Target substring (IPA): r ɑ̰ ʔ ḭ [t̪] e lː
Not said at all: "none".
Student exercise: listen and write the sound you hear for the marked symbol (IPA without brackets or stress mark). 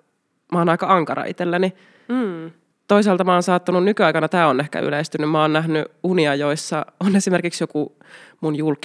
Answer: t̪